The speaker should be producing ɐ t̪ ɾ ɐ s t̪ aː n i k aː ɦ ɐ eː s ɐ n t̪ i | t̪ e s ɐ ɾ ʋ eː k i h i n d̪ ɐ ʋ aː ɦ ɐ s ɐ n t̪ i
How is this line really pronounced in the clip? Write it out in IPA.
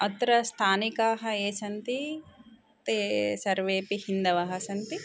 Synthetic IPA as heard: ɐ t̪ ɾ ɐ s t̪ʰ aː n i k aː ɦ ɐ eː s ɐ n t̪ i | t̪ e s ɐ ɾ ʋ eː p i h i n d̪ ɐ ʋ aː ɦ ɐ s ɐ n t̪ i